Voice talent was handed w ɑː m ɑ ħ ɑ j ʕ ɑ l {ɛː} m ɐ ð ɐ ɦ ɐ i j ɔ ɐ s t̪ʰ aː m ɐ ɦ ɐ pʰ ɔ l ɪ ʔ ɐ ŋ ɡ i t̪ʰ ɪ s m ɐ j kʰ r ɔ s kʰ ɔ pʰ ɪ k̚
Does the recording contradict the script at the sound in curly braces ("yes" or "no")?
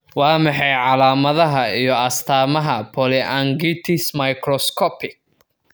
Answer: yes